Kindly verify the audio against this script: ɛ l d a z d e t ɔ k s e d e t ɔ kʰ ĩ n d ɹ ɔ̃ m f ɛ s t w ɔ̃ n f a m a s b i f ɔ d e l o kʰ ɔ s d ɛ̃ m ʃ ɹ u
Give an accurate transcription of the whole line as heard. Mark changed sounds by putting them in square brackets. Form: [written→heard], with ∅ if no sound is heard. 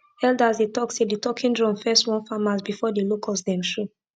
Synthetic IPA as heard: ɛ l d a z d e t ɔ k s e d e t ɔ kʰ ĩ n d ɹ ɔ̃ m f ɛ s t w ɔ̃ n f a m a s b i f ɔ d e l o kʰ ɔ s d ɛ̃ m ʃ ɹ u